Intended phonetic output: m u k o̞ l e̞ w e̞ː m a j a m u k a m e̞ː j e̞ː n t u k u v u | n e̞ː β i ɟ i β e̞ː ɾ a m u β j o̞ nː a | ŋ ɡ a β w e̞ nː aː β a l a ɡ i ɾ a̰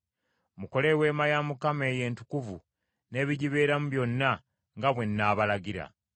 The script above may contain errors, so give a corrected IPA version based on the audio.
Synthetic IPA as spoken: m u k o̞ l e̞ w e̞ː m a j a m u k a m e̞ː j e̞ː n t u k u v u | n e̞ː β i ɟ i β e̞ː ɾ a m u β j o̞ nː a | ŋ ɡ a β w e̞ nː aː β a l a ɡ i ɾ a̰